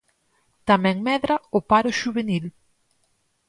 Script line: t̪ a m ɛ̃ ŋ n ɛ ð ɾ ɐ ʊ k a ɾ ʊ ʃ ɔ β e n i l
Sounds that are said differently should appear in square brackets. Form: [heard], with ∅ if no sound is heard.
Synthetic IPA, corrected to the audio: t̪ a m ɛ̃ ŋ [m] ɛ ð ɾ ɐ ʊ [p] a ɾ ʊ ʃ [u] β e n i l